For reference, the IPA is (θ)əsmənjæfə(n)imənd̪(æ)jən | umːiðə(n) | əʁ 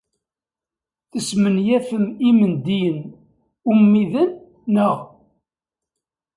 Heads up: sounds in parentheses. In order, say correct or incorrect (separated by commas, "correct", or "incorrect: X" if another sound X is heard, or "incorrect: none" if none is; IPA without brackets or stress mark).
correct, incorrect: m, incorrect: i, incorrect: nː